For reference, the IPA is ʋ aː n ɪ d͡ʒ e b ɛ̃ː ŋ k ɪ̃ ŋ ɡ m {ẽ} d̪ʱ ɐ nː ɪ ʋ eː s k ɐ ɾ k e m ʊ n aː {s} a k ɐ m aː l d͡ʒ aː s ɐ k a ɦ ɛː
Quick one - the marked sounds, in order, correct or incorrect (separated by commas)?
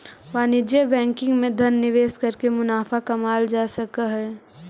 correct, incorrect